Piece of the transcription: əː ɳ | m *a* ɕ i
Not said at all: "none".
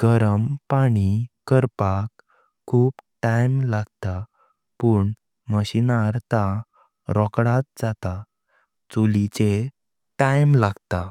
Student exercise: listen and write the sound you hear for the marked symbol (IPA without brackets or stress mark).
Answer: ə